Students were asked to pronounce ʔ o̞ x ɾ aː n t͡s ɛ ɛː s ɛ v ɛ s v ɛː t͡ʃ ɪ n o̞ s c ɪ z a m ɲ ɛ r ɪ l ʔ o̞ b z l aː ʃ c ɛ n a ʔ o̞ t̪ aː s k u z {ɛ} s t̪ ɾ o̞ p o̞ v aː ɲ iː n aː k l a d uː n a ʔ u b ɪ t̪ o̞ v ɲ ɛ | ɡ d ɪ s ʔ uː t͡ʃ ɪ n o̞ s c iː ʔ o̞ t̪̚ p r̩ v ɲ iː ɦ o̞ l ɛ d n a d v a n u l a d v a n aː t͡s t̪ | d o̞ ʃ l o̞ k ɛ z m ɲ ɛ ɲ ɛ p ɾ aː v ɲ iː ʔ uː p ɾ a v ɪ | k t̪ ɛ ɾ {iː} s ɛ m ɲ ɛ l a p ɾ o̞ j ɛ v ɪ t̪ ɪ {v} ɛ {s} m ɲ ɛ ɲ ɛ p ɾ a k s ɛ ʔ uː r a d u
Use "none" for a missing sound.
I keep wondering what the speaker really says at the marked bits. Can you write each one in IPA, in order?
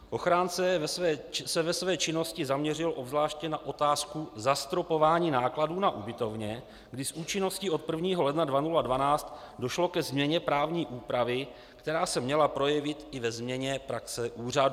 a, aː, v, z

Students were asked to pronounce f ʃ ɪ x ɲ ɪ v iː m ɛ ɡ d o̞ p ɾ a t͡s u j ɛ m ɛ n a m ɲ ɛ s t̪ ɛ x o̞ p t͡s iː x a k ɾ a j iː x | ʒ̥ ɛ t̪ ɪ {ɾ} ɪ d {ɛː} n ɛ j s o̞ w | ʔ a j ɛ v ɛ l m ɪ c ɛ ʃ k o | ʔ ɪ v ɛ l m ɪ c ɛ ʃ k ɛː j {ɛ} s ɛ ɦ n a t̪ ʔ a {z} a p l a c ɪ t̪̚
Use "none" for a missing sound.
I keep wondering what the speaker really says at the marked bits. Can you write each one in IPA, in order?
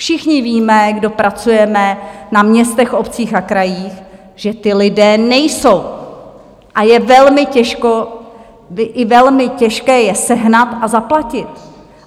l, ɛː, ɛ, z

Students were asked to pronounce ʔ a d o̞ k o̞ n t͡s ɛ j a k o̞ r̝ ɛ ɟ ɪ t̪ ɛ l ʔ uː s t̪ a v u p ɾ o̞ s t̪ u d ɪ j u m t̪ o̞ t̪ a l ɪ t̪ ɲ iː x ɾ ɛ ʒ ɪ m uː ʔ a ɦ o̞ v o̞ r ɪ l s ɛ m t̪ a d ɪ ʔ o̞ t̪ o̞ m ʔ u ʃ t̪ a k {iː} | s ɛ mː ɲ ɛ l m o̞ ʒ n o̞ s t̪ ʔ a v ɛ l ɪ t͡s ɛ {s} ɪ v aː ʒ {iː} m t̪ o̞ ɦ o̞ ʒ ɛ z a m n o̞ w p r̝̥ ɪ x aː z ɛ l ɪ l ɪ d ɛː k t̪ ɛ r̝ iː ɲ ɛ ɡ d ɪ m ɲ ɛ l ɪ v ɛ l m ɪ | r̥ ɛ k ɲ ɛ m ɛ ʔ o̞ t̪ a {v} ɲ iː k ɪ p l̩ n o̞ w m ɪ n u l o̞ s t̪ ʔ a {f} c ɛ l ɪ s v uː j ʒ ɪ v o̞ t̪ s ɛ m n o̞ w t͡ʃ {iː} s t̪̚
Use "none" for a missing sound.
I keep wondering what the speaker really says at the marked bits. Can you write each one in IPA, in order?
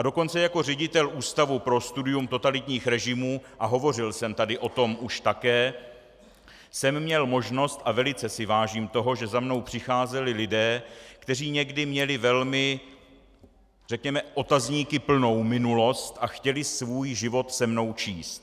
ɛː, s, iː, z, x, iː

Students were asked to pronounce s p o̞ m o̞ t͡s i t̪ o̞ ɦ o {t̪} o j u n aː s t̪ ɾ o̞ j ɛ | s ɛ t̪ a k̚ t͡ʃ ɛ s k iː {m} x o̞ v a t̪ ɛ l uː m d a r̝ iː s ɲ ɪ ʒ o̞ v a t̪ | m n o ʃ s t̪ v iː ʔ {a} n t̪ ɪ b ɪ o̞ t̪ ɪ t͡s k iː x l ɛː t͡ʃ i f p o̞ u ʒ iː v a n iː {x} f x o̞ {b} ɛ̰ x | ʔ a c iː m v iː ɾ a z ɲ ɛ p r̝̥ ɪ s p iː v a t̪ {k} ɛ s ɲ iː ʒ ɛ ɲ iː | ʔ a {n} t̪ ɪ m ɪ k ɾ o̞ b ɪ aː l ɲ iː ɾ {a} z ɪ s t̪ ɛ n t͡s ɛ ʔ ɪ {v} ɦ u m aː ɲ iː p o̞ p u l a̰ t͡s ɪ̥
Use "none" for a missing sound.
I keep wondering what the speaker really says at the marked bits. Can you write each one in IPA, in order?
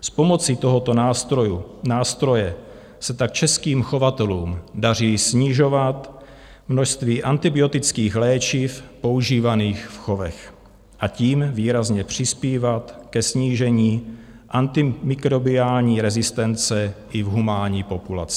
t̪, m, a, x, v, k, n, ɛ, v

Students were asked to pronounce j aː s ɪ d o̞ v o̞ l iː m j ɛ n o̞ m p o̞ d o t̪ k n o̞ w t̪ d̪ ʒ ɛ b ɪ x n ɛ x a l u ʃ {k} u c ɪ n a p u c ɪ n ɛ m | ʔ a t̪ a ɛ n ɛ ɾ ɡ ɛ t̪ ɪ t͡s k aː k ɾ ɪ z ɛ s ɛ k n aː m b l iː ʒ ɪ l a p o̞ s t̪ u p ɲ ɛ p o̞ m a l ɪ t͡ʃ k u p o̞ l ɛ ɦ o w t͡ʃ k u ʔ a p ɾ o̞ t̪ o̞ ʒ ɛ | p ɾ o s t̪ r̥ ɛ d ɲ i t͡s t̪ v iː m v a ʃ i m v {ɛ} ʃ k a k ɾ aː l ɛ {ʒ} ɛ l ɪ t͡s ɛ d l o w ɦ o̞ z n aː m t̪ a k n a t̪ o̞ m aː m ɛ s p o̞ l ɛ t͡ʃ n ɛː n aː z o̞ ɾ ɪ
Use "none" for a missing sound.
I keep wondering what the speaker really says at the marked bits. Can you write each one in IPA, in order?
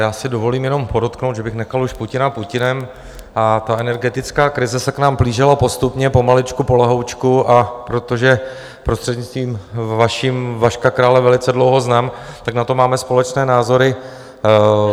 p, a, v

